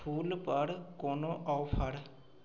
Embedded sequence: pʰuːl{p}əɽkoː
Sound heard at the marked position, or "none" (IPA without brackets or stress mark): p